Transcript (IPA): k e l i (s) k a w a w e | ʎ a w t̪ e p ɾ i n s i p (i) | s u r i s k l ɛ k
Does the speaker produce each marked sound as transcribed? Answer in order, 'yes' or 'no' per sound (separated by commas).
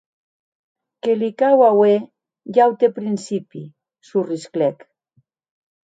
no, yes